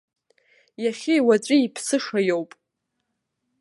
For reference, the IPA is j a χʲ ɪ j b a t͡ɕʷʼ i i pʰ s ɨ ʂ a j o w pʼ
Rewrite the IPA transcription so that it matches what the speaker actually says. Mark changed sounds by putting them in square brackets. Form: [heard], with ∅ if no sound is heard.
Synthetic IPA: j a χʲ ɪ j [w] a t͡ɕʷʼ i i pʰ s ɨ ʂ a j o w pʼ